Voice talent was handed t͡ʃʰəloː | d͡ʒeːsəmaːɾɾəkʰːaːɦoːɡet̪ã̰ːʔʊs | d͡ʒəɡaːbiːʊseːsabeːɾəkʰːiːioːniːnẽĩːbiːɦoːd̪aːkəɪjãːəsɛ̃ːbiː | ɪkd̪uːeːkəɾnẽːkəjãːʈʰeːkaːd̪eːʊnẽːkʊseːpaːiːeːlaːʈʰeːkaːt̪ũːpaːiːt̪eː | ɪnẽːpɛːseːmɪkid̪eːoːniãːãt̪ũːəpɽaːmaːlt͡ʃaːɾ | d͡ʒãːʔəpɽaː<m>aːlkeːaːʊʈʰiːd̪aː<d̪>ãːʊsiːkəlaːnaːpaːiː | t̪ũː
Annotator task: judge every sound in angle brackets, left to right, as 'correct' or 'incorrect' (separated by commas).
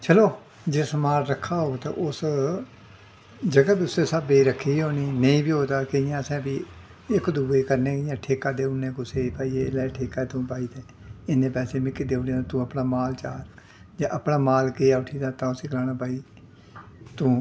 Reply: correct, incorrect